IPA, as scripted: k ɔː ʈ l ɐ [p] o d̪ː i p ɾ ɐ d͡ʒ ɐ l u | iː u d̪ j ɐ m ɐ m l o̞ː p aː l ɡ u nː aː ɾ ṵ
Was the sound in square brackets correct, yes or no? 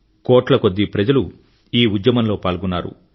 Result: no